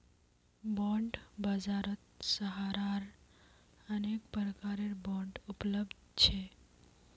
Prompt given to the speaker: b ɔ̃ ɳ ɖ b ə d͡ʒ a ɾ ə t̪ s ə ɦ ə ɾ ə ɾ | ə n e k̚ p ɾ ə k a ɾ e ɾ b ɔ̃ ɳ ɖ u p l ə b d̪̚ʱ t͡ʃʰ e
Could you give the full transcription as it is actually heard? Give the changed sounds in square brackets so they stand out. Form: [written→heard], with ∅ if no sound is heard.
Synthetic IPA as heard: b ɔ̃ ɳ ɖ b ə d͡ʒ a ɾ ə t̪ s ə ɦ [ə→a] ɾ [ə→a] ɾ | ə n e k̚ p ɾ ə k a ɾ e ɾ b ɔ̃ ɳ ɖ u p l ə b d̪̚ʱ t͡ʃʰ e